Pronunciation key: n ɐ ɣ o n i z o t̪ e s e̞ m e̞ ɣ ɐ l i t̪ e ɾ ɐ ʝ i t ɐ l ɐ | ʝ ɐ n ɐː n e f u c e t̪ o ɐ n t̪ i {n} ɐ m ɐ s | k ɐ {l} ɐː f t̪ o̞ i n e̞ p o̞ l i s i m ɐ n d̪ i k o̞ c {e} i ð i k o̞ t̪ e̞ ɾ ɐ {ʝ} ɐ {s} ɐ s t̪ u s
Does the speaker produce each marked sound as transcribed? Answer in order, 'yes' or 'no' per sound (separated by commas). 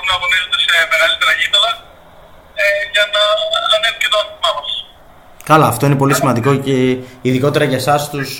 no, yes, yes, yes, yes